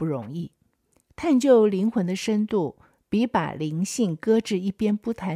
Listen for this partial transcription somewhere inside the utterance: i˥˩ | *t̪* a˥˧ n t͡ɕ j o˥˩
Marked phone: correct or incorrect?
incorrect